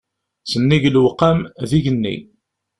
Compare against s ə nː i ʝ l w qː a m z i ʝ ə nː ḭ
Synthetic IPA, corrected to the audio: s ə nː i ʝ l w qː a m ð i ʝ ə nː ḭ